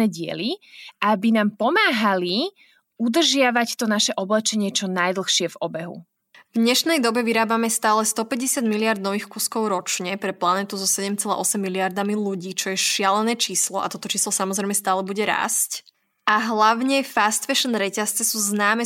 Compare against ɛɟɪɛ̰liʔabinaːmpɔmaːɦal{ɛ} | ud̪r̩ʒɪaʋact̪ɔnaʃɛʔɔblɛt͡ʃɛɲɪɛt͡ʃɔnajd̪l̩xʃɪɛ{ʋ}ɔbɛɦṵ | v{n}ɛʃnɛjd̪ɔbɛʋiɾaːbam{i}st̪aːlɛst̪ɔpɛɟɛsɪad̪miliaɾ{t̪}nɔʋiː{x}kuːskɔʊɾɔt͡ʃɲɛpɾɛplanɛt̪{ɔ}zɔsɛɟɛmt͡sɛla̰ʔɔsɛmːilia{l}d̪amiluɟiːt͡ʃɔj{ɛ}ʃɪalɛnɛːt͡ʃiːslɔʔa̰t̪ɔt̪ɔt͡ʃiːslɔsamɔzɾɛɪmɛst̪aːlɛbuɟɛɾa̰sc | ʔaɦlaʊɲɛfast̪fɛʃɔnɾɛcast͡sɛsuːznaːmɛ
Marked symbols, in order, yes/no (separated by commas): no, no, no, no, no, yes, no, no, yes